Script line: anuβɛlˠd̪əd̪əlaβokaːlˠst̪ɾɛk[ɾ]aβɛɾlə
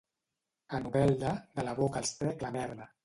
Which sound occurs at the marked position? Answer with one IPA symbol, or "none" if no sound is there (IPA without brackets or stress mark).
l